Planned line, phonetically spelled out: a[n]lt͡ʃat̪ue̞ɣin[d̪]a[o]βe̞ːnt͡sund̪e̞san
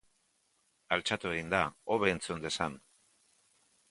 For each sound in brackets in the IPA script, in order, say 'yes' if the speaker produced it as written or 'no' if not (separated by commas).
no, yes, yes